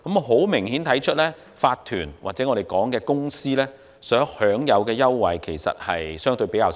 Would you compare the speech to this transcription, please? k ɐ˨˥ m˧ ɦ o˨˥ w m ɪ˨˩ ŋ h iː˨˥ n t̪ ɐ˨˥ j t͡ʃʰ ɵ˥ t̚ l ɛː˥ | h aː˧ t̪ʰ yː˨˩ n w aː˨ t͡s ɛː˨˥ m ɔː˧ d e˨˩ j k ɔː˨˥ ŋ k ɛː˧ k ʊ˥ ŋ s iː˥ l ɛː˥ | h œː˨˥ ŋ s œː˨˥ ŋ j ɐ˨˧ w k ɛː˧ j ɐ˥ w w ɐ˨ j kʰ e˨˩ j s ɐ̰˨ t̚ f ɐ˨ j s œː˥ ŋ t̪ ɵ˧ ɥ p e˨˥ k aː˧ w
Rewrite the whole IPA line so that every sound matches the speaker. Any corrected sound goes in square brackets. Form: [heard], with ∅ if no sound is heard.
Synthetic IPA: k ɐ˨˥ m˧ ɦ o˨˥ w m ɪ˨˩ ŋ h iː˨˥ n [t̪ʰ] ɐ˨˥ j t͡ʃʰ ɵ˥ t̚ l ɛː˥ | [f] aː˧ t̪ʰ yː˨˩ n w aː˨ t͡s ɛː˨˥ [ŋ] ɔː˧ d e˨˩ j k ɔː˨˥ ŋ k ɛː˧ k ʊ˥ ŋ s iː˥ l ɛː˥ | [s] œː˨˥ ŋ [h] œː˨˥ ŋ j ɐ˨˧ w k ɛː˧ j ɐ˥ w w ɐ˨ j kʰ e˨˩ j s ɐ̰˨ t̚ [h] ɐ˨ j s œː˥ ŋ t̪ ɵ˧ ɥ p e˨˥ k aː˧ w

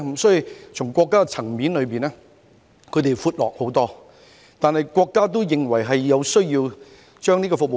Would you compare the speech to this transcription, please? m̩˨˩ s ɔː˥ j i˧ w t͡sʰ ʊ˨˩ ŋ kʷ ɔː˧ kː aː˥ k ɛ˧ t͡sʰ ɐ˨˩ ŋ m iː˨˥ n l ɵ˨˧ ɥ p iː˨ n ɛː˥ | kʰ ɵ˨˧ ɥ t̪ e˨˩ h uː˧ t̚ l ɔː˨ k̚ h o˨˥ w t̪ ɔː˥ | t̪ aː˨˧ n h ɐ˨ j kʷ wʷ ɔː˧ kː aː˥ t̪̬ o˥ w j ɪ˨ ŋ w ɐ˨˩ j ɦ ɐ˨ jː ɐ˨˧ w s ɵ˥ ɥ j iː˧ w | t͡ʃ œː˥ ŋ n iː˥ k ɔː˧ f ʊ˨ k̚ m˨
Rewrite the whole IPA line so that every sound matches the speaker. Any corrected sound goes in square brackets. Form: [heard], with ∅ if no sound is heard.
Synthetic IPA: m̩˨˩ s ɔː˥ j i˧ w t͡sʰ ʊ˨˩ ŋ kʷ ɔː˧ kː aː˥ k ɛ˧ t͡sʰ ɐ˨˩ ŋ m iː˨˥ n l ɵ˨˧ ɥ p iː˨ n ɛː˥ | kʰ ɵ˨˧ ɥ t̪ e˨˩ [f] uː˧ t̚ l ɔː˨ k̚ h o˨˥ w t̪ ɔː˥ | t̪ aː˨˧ n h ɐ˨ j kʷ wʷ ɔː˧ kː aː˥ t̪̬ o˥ w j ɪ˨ ŋ w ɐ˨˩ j ɦ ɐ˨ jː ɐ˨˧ w s ɵ˥ ɥ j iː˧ w | t͡ʃ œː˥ ŋ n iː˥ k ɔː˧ f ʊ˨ k̚ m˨

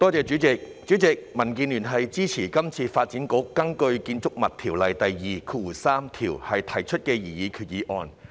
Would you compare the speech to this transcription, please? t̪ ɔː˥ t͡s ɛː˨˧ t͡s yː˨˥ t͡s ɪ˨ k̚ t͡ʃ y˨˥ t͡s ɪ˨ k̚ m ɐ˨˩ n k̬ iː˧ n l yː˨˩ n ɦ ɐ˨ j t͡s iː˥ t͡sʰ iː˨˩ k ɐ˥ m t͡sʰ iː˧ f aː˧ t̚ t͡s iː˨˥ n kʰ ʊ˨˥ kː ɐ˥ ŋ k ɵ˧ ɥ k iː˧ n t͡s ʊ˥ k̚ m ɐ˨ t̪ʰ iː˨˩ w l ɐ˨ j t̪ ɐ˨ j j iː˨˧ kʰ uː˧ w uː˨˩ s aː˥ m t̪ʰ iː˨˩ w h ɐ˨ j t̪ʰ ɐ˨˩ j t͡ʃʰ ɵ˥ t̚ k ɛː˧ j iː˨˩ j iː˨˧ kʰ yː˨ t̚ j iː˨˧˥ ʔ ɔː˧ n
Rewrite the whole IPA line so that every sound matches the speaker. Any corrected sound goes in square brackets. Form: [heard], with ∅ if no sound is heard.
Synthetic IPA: t̪ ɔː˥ t͡s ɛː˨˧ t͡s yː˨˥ t͡s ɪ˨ k̚ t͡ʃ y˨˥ t͡s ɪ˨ k̚ m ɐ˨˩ n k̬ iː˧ n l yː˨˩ n ɦ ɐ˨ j t͡s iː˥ t͡sʰ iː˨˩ k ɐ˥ m t͡sʰ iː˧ f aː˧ t̚ t͡s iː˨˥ n [k] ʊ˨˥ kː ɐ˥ ŋ k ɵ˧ ɥ k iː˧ n t͡s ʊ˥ k̚ m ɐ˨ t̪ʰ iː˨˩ w l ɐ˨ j t̪ ɐ˨ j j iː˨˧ kʰ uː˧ w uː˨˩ s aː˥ m t̪ʰ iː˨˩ w h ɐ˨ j t̪ʰ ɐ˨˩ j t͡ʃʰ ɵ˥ t̚ k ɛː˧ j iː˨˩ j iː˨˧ kʰ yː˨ t̚ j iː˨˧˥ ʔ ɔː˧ n

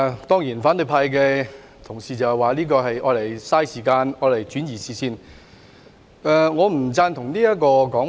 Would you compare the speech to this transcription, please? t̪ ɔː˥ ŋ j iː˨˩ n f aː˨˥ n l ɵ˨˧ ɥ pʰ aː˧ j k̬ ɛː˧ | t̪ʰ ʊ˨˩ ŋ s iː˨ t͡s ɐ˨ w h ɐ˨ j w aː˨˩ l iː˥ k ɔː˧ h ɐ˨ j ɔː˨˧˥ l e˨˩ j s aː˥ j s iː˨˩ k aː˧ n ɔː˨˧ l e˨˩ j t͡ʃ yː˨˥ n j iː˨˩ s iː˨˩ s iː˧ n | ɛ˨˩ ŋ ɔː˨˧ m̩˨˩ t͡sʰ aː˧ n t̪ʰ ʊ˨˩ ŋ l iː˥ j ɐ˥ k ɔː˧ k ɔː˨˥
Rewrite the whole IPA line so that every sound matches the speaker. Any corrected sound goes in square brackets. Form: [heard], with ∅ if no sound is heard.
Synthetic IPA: t̪ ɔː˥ ŋ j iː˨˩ n f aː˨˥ n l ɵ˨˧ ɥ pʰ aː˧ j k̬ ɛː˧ | t̪ʰ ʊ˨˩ ŋ s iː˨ t͡s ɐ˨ w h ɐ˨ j w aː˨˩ l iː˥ k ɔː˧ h ɐ˨ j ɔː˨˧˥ l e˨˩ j s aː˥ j s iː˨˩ k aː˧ n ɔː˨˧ l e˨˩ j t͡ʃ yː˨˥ n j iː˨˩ s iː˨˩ s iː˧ n | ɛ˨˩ ŋ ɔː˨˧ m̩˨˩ [t͡s] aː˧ n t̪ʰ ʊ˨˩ ŋ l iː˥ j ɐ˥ k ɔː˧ k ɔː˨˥

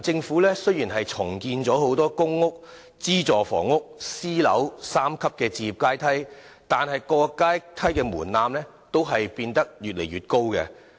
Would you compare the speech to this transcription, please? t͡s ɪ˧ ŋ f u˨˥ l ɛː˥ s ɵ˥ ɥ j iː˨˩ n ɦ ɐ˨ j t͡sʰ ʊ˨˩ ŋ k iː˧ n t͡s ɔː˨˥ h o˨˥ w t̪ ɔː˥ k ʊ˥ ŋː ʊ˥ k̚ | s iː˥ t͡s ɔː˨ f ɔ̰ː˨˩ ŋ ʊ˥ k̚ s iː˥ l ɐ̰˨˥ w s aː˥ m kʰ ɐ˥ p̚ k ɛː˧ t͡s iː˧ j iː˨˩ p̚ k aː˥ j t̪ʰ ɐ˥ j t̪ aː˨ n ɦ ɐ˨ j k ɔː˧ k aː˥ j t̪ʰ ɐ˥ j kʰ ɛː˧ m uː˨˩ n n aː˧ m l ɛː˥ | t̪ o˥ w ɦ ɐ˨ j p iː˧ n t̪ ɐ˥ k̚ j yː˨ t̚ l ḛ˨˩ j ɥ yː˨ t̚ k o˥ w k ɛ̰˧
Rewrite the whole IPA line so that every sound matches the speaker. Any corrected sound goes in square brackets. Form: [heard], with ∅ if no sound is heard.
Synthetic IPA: t͡s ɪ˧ ŋ f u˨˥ l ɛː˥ s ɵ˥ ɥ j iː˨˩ n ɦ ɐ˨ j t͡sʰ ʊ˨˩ ŋ k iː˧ n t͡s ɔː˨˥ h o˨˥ w t̪ ɔː˥ k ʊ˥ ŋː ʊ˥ k̚ | [t͡s] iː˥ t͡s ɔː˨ f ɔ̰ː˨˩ ŋ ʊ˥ k̚ s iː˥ l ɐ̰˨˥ w s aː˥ m kʰ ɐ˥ p̚ k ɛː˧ t͡s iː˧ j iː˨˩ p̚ k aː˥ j t̪ʰ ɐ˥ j t̪ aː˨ n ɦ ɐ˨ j k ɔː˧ k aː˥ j t̪ʰ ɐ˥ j [k] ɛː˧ m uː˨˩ n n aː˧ m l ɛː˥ | t̪ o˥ w ɦ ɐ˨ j p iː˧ n t̪ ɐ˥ k̚ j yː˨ t̚ l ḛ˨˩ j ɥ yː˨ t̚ k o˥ w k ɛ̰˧

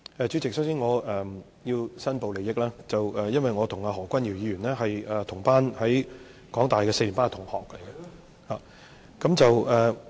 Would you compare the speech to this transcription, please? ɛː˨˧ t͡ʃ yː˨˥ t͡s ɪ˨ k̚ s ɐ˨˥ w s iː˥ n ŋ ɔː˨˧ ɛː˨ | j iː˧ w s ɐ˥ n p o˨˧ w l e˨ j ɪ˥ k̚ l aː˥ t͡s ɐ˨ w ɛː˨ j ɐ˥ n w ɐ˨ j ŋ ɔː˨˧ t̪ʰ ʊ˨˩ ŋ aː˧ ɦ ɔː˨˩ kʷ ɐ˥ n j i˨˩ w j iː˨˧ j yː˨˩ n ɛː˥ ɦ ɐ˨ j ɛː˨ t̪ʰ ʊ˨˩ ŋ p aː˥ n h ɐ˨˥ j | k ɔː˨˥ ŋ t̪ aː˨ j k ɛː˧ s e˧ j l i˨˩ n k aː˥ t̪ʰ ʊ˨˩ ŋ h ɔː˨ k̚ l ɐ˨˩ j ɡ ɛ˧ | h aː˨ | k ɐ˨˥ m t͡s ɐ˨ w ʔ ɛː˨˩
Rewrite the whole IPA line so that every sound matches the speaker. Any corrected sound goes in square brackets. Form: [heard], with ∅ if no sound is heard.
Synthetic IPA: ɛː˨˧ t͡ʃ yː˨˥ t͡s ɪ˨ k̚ s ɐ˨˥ w s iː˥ n ŋ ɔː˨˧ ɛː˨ | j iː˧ w s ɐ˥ n p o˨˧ w l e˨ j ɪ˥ k̚ l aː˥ t͡s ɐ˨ w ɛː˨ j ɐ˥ n w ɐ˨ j ŋ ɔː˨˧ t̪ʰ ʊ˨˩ ŋ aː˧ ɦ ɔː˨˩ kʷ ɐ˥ n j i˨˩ w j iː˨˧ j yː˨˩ n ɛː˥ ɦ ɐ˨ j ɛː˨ t̪ʰ ʊ˨˩ ŋ p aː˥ n h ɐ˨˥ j | k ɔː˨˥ ŋ t̪ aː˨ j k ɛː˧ s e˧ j l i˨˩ n [p] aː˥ t̪ʰ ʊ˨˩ ŋ h ɔː˨ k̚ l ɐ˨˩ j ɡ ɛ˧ | h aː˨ | k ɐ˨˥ m t͡s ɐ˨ w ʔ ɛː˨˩

